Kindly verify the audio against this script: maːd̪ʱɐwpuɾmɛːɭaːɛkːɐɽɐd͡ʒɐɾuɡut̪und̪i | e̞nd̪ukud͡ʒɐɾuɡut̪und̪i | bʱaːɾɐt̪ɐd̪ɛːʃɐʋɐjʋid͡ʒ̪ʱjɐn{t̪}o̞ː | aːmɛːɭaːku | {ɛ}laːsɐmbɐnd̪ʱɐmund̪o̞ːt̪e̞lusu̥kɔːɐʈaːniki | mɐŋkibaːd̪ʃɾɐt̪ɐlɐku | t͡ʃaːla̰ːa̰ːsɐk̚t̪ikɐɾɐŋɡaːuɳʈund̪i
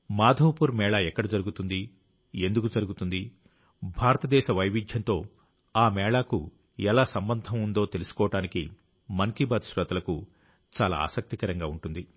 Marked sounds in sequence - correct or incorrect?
correct, correct

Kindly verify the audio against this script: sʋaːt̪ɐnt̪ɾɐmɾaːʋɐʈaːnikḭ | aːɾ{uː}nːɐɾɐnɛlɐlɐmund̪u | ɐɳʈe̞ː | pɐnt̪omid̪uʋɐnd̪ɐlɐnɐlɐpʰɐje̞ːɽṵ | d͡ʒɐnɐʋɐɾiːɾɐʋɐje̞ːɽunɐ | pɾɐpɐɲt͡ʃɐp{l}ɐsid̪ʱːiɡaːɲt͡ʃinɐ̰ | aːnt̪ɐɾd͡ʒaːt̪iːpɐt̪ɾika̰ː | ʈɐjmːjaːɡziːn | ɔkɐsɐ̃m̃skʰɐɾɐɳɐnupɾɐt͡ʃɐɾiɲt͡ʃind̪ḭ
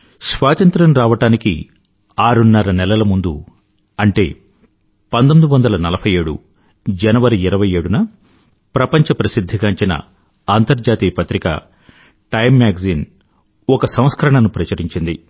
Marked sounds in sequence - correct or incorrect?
incorrect: u, incorrect: ɾ

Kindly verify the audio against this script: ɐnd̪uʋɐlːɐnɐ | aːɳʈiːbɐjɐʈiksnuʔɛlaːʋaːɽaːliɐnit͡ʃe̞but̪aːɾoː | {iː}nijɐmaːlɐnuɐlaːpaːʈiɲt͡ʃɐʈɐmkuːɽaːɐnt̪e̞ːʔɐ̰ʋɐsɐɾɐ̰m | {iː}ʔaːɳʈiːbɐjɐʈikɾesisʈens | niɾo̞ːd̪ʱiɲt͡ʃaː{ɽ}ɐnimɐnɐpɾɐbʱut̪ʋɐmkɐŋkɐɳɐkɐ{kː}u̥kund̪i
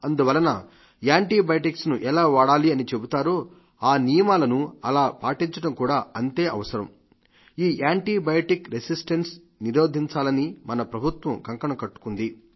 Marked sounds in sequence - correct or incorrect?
incorrect: aː, correct, incorrect: l, incorrect: ʈː

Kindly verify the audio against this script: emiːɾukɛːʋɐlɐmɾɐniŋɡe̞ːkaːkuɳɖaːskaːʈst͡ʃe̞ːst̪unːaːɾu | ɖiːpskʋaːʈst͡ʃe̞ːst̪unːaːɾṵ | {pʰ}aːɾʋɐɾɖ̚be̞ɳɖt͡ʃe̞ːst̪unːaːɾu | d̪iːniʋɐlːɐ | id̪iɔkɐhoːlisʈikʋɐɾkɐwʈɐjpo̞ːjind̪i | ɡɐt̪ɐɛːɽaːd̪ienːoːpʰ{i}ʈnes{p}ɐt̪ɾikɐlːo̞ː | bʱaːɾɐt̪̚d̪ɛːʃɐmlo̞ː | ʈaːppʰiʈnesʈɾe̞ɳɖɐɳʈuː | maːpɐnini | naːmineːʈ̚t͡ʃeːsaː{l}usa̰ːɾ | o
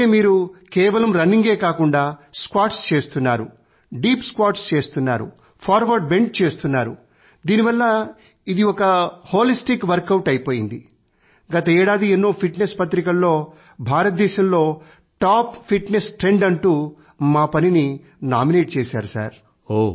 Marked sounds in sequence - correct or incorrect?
correct, correct, correct, incorrect: ɾ

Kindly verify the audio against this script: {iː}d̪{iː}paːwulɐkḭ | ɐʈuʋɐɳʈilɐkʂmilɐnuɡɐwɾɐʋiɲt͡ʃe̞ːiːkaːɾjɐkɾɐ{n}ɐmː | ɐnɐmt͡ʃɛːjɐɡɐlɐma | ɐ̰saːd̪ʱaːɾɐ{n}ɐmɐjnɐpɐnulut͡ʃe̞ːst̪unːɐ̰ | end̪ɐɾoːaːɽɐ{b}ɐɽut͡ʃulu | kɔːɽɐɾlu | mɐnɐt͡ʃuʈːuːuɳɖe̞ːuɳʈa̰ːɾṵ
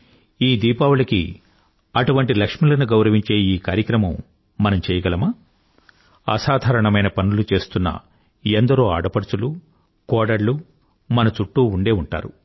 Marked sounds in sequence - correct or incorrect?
correct, correct, incorrect: m, incorrect: ɳ, incorrect: p

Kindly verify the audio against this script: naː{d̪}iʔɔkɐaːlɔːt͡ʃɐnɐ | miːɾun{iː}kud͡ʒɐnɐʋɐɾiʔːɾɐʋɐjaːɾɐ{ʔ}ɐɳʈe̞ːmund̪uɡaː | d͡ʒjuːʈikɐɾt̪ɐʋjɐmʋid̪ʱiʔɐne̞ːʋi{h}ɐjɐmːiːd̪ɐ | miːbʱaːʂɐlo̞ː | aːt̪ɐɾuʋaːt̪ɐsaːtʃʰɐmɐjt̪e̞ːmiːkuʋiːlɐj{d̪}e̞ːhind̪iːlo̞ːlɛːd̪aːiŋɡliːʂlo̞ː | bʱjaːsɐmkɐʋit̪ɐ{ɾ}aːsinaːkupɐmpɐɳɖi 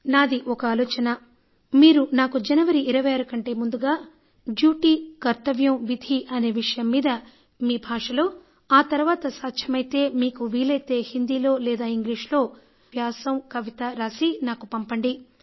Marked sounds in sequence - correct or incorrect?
correct, incorrect: aː, incorrect: k, incorrect: ʂ, incorrect: t̪, correct

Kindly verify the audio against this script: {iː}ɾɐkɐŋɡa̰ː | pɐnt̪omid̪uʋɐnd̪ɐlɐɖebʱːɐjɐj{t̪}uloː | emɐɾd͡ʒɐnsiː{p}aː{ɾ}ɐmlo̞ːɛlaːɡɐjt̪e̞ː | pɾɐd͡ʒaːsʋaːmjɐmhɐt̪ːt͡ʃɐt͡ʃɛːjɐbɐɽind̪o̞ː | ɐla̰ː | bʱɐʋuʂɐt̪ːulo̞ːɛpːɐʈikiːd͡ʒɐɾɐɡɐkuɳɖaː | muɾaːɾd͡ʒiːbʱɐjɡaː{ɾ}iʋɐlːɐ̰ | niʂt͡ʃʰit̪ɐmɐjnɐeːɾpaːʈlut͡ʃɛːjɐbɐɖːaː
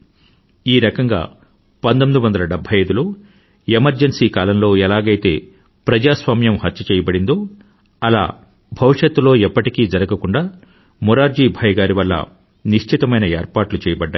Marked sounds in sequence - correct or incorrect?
correct, incorrect: d̪, incorrect: k, incorrect: l, correct

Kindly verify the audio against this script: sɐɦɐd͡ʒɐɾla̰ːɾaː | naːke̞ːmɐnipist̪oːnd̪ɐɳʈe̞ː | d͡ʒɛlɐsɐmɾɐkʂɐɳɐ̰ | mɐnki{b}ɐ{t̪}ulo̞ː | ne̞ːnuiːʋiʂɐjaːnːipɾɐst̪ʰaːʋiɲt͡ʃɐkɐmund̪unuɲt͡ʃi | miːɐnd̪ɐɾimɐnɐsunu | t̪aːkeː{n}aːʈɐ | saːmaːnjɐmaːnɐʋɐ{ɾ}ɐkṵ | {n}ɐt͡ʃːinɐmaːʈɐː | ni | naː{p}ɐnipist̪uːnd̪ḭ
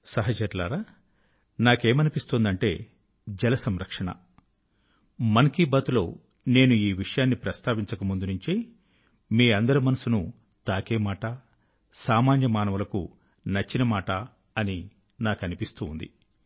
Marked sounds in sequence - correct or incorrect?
correct, correct, incorrect: m, incorrect: l, correct, incorrect: k

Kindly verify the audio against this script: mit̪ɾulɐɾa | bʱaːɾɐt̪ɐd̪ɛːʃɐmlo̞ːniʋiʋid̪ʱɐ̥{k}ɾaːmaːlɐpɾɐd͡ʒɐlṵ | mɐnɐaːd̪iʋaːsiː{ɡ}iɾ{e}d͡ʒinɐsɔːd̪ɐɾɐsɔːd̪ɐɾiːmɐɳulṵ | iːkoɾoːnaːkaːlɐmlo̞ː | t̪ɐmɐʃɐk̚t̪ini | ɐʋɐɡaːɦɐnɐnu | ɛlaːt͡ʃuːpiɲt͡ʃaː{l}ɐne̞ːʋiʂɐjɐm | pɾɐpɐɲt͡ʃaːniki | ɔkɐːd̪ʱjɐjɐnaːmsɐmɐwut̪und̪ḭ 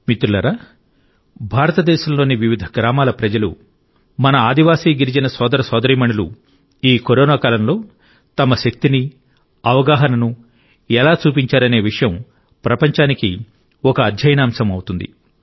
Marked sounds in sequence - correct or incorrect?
incorrect: ɡ, correct, incorrect: i, incorrect: ɾ

